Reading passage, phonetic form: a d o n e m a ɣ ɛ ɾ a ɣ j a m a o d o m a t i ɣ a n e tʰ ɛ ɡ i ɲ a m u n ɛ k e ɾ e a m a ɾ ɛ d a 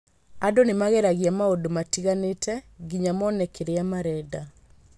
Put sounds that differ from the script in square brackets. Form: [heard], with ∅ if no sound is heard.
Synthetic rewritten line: a d o n e m a ɣ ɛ ɾ a ɣ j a m a o d o m a t i ɣ a n e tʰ ɛ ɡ i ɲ a m [ɔ] n ɛ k e ɾ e a m a ɾ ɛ d a

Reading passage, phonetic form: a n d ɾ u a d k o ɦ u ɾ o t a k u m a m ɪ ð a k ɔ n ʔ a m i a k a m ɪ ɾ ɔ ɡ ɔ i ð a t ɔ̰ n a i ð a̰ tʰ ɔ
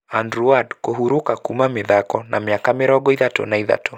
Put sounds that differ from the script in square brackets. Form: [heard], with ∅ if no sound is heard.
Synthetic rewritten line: a n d ɾ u a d k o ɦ u ɾ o [k] a k u m a m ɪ ð a k ɔ n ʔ a m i a k a m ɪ ɾ ɔ ɡ ɔ i ð a t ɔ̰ n a i ð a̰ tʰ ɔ

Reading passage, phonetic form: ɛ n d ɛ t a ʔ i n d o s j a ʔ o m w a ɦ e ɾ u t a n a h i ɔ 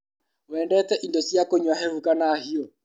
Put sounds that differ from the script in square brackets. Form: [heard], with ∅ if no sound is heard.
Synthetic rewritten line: ɛ n d ɛ t [ɛ] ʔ i n d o s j a [k] o [ɲ] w a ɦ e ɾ u [k] a n a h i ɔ

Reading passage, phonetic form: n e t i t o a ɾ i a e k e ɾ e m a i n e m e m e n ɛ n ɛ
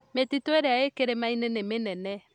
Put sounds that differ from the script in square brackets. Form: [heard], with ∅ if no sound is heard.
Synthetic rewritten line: [m] e t i t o [e] ɾ [e] a e k e ɾ e m a i n e [n] e m e n ɛ n ɛ

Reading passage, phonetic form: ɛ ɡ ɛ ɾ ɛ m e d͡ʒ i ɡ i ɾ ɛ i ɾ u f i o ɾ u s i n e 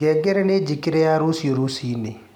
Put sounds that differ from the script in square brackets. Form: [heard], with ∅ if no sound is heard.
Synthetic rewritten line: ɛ ɡ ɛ ɾ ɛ [n] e d͡ʒ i [k] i ɾ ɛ [a] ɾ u [s] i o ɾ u s i n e

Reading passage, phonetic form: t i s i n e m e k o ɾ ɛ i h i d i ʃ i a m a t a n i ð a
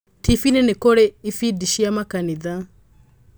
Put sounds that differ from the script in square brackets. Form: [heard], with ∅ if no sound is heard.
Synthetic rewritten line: t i [f] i n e [n] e k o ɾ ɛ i [f] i d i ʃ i a m a [k] a n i ð a

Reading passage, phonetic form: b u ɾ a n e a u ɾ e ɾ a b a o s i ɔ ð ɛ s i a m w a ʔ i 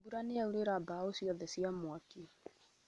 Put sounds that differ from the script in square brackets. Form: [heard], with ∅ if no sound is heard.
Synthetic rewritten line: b u ɾ a n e a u ɾ e ɾ a b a o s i ɔ ð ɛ s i a m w a [k] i

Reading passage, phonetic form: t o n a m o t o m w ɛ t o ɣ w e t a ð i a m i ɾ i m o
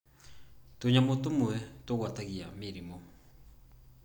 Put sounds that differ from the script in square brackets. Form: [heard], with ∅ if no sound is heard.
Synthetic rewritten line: t o [ɲ] a m o t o m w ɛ t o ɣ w [a] t a [ɣ] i a m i ɾ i m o

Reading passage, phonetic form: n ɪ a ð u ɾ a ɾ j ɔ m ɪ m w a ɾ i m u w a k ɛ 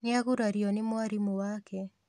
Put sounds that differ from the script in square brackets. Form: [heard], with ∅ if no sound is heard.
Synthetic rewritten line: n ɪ a [ɣ] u ɾ a ɾ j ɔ [n] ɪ m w a ɾ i m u w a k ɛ

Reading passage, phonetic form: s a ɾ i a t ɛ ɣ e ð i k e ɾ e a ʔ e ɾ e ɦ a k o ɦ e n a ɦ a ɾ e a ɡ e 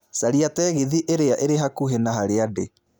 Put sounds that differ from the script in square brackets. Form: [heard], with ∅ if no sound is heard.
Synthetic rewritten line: s a ɾ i a t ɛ ɣ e ð i [ʔ] e ɾ e a ʔ e ɾ e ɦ a k [u] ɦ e n a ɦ a ɾ e a [d] e

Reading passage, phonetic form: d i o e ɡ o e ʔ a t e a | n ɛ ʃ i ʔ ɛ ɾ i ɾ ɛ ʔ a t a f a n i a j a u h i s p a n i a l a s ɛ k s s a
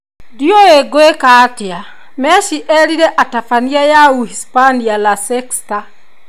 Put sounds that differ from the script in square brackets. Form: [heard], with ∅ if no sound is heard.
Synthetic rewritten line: d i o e ɡ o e [k] a t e a | [m] ɛ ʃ i ʔ ɛ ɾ i ɾ ɛ ʔ a t a f a n i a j a u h i s p a n i a l a s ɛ k s [t] a

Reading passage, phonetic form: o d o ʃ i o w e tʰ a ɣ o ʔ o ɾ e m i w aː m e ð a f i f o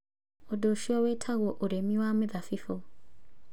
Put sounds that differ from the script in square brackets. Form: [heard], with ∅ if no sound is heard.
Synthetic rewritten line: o d o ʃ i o w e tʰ a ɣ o ʔ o ɾ e m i w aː m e ð a f i f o

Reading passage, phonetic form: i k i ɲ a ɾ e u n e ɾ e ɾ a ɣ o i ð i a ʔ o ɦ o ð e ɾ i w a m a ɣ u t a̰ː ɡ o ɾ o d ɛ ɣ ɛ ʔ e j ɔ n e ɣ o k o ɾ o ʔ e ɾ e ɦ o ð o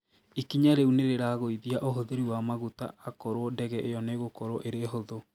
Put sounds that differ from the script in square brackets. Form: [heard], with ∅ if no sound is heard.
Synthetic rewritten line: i k i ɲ a ɾ e u n e ɾ e ɾ a ɣ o i ð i a ʔ o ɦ o ð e ɾ i w a m a ɣ u t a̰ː [k] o ɾ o d ɛ ɣ ɛ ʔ e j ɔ n e ɣ o k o ɾ o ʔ e ɾ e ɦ o ð o

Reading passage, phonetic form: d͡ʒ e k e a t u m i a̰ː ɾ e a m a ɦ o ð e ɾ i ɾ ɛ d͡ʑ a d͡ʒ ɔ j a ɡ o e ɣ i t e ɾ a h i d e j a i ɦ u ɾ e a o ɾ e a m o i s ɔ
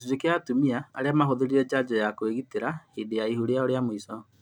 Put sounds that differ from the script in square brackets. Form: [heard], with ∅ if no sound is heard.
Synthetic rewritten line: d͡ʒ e k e a t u m i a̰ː ɾ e a m a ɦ o ð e ɾ i ɾ ɛ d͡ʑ a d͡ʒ ɔ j a [k] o e ɣ i t e ɾ a h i d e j a i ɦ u ɾ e a o ɾ e a m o i s ɔ

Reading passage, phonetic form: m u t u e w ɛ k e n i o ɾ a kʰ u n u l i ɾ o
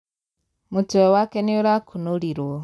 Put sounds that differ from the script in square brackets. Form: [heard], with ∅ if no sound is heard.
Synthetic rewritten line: m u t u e w [a] k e n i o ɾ a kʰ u n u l i ɾ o

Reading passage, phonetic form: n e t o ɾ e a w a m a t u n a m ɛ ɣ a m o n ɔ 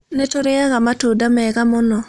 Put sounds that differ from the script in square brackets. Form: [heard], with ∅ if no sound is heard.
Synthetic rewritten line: n e t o ɾ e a [ɣ] a m a t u [d] a m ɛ ɣ a m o n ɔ

